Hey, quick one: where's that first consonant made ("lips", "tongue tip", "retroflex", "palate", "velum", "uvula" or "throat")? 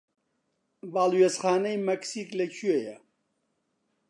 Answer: lips